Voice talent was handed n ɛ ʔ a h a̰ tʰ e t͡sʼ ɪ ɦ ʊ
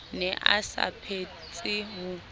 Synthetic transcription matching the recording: n ɛ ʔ a s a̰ pʰ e t͡sʼ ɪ ɦ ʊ